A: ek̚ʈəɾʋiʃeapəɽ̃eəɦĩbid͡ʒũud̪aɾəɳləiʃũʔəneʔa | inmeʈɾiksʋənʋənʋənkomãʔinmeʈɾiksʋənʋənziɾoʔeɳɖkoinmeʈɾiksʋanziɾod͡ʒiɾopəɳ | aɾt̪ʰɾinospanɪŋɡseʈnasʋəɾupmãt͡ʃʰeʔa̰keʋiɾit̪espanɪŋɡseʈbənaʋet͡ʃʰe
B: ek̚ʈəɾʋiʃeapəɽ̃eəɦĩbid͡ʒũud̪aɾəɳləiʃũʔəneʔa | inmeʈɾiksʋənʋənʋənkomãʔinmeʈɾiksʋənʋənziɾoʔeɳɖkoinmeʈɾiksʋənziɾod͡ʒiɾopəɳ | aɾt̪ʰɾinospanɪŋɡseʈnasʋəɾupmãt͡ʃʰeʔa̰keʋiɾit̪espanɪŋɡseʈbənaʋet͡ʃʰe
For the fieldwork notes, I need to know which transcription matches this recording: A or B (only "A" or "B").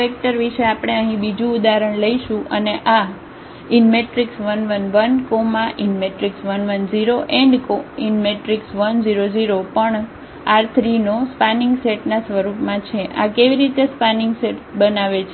B